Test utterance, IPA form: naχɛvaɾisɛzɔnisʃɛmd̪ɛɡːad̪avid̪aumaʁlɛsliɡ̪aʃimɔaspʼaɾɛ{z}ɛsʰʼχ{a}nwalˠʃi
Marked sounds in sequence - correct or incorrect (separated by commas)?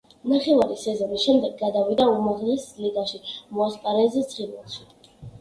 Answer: correct, incorrect